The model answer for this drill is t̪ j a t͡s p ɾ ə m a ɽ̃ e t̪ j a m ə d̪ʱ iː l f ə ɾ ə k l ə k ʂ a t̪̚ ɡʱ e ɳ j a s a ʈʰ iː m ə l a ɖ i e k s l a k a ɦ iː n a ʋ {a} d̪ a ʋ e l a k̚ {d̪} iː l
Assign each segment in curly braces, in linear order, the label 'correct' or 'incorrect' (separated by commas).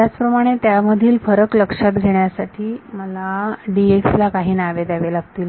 incorrect, incorrect